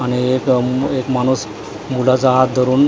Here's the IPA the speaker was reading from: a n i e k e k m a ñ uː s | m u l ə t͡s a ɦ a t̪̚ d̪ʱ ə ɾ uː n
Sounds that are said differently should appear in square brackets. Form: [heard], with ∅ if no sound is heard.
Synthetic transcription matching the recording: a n i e k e k m a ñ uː s | m u l [a] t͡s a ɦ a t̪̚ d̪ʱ ə ɾ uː n